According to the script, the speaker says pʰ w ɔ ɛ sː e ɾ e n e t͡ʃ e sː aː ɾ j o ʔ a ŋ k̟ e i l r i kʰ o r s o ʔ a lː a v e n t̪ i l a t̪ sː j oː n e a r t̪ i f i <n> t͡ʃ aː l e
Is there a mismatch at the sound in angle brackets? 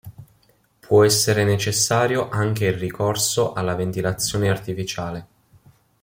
yes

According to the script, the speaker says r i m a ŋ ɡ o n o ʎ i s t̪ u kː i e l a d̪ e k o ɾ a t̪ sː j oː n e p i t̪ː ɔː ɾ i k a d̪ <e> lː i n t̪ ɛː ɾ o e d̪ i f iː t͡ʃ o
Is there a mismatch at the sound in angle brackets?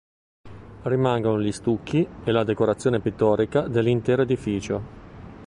no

